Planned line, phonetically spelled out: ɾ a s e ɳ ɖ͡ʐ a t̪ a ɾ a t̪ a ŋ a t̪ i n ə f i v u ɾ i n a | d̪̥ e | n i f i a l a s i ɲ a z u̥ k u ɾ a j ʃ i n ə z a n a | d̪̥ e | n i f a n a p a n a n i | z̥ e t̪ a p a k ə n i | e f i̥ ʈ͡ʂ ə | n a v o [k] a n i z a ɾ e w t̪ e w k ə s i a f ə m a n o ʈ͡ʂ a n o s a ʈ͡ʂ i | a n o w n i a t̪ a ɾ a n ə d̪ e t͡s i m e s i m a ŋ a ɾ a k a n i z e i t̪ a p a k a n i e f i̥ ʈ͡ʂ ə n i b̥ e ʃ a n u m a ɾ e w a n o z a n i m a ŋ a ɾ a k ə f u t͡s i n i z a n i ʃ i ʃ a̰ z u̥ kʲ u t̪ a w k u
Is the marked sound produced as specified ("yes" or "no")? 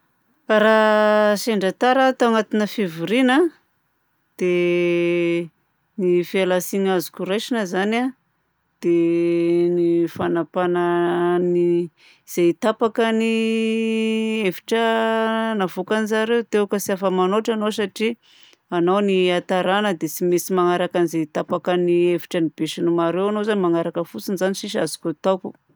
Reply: yes